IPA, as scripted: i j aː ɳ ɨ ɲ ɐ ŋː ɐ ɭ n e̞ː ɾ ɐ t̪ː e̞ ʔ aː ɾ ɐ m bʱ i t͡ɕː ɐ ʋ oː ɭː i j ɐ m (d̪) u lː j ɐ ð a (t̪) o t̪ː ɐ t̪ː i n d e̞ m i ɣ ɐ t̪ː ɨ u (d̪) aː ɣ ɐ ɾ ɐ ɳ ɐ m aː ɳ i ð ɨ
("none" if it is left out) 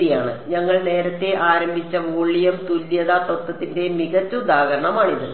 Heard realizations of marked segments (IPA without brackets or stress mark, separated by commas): t̪, t̪, d̪